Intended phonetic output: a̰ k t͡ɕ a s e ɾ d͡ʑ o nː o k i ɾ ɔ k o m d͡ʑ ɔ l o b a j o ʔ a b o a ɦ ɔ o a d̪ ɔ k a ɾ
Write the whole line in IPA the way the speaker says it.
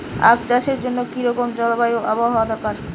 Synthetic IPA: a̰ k t͡ɕ a ʃ e ɾ d͡ʑ o nː o k i ɾ ɔ k o m d͡ʑ ɔ l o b a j o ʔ a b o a ɦ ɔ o a d̪ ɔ k a ɾ